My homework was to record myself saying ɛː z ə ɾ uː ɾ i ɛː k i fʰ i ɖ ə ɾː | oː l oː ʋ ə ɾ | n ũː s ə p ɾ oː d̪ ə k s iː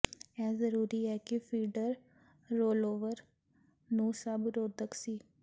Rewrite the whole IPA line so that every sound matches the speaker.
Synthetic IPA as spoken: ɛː z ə ɾ uː ɾ i ɛː k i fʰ iː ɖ ə ɾː | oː l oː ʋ ə ɾ | n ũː s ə b ɾ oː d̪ ə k s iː